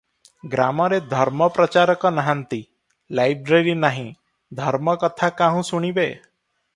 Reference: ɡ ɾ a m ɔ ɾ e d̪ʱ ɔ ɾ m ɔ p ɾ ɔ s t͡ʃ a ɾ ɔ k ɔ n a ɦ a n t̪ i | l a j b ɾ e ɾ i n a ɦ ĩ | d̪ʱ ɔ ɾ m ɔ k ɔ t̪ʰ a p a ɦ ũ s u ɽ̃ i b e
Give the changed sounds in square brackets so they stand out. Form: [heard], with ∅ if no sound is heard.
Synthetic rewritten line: ɡ ɾ a m ɔ ɾ e d̪ʱ ɔ ɾ m ɔ p ɾ ɔ [∅] t͡ʃ a ɾ ɔ k ɔ n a ɦ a n t̪ i | l a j b ɾ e ɾ i n a ɦ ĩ | d̪ʱ ɔ ɾ m ɔ k ɔ t̪ʰ a [k] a ɦ ũ s u ɽ̃ i b e

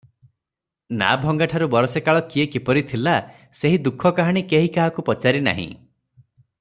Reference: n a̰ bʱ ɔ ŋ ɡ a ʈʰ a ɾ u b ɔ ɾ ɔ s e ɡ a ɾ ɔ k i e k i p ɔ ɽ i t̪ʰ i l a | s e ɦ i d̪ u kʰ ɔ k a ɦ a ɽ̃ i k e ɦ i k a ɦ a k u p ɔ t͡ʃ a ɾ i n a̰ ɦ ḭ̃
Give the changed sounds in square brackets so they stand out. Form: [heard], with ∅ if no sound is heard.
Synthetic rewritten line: n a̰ bʱ ɔ ŋ ɡ a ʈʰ a ɾ u b ɔ ɾ ɔ s e [k] a [ɭ] ɔ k i e k i p ɔ [ɾ] i t̪ʰ i l a | s e ɦ i d̪ u kʰ ɔ k a ɦ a ɽ̃ i k e ɦ i k a ɦ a k u p ɔ t͡ʃ a ɾ i n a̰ ɦ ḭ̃

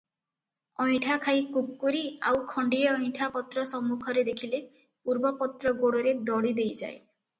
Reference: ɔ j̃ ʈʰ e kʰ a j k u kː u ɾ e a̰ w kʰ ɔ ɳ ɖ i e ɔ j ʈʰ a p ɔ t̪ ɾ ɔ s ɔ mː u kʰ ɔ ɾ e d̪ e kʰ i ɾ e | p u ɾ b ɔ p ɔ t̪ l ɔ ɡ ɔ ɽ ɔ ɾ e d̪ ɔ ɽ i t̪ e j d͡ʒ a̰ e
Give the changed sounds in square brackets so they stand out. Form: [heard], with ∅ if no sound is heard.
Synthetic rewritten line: ɔ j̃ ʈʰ [a] kʰ a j k u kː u ɾ [i] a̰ w kʰ ɔ ɳ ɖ i e ɔ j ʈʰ a p ɔ t̪ ɾ ɔ s ɔ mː u kʰ ɔ ɾ e d̪ e kʰ i [l] e | p u ɾ b ɔ p ɔ t̪ [ɾ] ɔ ɡ [o] ɽ ɔ ɾ e d̪ ɔ ɽ i [d̪] e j d͡ʒ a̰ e

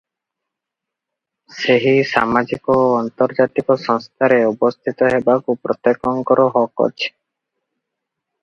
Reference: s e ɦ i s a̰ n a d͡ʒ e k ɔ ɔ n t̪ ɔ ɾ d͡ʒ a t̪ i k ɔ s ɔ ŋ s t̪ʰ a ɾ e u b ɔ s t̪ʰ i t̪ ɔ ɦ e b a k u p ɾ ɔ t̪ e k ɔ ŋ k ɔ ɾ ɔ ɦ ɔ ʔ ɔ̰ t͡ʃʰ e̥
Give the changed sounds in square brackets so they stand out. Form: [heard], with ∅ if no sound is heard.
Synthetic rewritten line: s e ɦ i s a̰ [m] a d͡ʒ [i] k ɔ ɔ n t̪ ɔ ɾ d͡ʒ a t̪ i k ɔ s ɔ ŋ s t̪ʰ a ɾ e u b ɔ s t̪ʰ i t̪ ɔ ɦ e b a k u p ɾ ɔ t̪ e k ɔ ŋ k ɔ ɾ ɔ ɦ ɔ [k] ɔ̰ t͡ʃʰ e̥

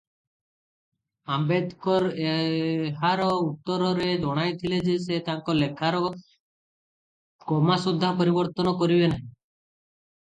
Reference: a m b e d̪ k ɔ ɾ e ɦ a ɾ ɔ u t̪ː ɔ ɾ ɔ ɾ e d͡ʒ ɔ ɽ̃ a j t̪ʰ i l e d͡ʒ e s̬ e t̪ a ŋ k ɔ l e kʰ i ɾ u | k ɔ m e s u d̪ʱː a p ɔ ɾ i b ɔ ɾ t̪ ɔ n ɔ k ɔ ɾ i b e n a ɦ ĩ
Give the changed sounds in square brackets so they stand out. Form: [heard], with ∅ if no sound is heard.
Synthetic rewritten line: a m b e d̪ k ɔ ɾ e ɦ a ɾ ɔ u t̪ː ɔ ɾ ɔ ɾ e d͡ʒ ɔ ɽ̃ a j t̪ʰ i l e d͡ʒ e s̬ e t̪ a ŋ k ɔ l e kʰ [a] ɾ [ɔ] | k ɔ m [a] s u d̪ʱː a p ɔ ɾ i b ɔ ɾ t̪ ɔ n ɔ k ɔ ɾ i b e n a ɦ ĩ

